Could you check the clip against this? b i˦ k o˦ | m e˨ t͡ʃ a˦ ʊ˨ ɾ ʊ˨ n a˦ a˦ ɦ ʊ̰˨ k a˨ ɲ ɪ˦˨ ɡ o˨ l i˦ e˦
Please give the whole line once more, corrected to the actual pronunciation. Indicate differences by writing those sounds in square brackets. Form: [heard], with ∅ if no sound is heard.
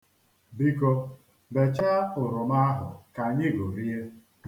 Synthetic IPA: b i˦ k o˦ | [b] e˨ t͡ʃ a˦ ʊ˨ ɾ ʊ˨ [m] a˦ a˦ ɦ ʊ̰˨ k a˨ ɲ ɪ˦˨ ɡ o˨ [ɾ] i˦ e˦